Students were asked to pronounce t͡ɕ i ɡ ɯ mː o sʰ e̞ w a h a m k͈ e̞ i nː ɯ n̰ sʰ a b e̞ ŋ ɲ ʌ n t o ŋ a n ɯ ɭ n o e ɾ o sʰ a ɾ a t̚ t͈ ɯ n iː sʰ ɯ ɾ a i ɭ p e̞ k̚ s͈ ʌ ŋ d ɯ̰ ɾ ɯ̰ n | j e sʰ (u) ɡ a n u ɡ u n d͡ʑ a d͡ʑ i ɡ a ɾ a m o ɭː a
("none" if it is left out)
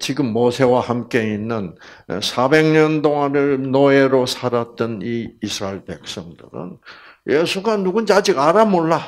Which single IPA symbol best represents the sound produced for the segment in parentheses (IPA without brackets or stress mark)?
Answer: u